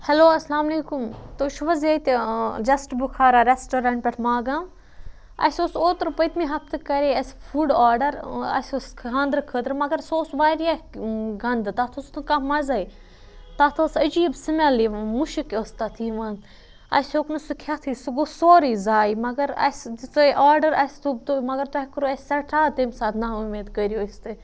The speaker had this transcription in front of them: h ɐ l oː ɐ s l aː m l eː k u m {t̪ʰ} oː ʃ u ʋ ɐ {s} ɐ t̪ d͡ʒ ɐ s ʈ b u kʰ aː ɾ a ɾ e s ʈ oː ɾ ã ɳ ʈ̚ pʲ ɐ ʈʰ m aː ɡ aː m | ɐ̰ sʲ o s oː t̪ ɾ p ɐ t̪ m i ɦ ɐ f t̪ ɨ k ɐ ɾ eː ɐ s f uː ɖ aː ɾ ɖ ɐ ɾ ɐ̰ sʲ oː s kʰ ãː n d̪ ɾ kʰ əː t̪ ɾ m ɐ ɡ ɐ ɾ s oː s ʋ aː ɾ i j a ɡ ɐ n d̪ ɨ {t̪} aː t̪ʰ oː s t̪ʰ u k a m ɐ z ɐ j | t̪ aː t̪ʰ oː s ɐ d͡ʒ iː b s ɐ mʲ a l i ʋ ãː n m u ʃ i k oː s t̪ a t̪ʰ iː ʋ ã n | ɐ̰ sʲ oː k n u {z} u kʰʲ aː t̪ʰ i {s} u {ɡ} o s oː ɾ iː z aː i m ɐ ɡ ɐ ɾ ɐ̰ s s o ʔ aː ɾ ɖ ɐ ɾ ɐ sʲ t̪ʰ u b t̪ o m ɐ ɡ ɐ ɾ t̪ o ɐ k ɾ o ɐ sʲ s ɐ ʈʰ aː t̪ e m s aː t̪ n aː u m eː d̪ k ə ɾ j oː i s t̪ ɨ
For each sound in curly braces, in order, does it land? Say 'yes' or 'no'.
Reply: no, no, yes, no, yes, yes

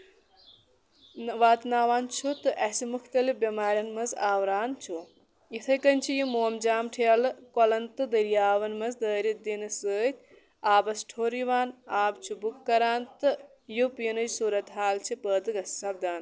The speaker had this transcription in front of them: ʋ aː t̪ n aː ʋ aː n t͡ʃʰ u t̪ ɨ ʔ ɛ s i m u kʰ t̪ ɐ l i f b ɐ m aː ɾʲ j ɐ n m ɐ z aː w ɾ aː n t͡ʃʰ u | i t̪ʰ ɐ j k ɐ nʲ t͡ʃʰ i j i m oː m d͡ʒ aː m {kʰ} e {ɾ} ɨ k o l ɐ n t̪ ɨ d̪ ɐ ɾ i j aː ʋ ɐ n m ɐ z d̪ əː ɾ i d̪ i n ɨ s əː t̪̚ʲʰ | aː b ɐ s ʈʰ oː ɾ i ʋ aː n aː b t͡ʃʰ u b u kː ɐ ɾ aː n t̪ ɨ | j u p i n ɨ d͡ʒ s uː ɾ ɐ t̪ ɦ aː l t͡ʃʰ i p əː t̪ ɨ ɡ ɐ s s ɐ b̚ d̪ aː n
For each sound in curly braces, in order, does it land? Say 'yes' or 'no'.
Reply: no, no

